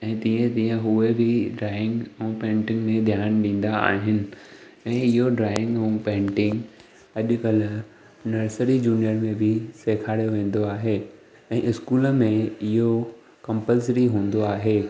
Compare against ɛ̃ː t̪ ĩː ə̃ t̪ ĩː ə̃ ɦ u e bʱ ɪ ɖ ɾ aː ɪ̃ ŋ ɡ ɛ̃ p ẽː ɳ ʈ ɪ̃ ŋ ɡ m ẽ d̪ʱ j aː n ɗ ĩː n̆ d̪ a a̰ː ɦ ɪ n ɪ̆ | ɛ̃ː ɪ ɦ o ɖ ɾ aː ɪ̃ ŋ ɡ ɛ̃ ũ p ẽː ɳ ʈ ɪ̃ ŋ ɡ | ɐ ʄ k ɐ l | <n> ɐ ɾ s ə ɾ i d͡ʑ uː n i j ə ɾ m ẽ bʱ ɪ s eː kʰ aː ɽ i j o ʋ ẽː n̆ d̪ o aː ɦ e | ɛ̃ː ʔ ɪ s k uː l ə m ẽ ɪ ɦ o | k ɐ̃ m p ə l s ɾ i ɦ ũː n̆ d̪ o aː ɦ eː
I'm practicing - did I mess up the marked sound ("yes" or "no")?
no